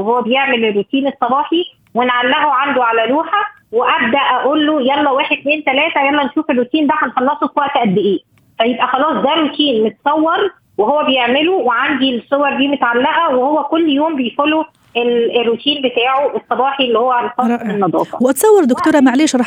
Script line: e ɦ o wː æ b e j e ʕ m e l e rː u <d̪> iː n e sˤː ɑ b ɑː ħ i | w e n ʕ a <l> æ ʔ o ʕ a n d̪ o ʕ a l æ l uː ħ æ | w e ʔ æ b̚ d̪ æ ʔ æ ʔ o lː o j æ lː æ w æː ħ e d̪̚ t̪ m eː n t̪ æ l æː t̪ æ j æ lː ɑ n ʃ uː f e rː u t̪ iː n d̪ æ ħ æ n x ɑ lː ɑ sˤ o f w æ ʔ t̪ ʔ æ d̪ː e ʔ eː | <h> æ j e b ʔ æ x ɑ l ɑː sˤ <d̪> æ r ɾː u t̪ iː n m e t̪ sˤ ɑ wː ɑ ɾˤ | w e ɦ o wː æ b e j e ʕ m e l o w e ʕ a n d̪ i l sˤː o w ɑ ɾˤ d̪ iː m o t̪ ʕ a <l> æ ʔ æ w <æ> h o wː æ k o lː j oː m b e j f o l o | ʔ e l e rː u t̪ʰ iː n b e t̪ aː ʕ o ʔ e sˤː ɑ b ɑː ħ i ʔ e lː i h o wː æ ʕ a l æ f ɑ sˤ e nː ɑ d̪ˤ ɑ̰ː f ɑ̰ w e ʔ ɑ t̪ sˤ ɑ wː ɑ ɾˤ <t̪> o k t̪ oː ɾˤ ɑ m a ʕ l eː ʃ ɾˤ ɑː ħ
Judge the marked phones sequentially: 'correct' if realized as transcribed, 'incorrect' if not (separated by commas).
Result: incorrect, incorrect, incorrect, correct, incorrect, incorrect, incorrect